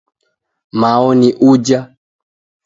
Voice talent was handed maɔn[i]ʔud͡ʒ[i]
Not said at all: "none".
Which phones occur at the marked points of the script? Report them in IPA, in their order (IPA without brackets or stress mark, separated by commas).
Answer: i, a